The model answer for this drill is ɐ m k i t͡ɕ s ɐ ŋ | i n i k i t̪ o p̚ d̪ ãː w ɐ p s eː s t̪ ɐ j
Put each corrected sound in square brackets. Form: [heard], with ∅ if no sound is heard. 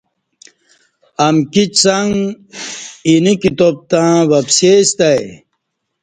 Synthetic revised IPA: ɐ m k i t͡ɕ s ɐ ŋ | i n i k i t̪ o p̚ [t̪] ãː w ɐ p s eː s t̪ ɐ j